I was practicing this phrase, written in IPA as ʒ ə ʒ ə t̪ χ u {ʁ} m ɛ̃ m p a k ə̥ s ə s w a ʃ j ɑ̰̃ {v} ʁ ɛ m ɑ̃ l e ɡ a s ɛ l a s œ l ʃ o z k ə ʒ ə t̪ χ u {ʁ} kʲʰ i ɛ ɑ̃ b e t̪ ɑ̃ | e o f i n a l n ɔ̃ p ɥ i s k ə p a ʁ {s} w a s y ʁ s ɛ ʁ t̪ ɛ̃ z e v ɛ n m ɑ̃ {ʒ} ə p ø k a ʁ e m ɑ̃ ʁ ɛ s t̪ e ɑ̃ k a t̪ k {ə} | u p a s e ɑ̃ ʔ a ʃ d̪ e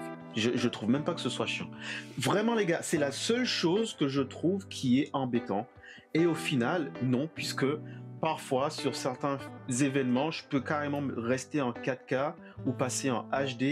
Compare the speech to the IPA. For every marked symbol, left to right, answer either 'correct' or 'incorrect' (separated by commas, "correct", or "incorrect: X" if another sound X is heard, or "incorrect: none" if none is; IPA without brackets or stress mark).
incorrect: v, correct, incorrect: v, incorrect: f, correct, incorrect: a